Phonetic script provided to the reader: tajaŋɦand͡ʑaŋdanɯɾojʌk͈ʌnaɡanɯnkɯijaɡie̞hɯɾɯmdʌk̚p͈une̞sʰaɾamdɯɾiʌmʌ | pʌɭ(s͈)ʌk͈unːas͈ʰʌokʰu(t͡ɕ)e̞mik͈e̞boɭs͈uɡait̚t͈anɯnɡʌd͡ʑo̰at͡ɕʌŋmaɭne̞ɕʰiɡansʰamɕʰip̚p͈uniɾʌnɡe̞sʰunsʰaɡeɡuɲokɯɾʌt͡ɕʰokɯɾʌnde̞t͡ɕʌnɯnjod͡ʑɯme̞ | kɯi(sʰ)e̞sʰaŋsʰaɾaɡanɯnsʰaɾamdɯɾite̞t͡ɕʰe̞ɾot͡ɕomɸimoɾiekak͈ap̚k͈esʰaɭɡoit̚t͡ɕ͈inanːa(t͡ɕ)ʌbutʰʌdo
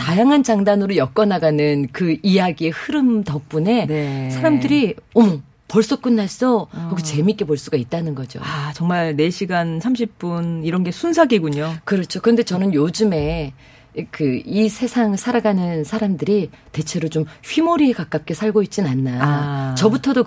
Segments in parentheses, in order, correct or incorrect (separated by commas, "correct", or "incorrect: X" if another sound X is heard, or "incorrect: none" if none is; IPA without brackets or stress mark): correct, correct, correct, correct